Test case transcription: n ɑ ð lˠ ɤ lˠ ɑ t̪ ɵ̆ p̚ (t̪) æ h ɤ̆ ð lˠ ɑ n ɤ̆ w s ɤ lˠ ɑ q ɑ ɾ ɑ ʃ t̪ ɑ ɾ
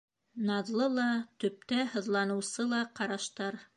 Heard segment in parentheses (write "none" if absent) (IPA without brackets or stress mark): t̪